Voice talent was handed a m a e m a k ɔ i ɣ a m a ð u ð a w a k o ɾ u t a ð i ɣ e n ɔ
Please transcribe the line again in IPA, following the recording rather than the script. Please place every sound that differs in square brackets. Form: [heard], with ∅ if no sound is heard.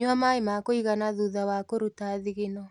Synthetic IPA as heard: a m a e m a k [o] i ɣ a [n] a ð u ð a w a k o ɾ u t a ð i ɣ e n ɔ